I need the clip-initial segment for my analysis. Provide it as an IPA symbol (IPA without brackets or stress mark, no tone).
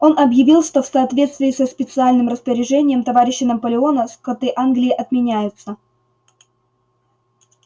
o̞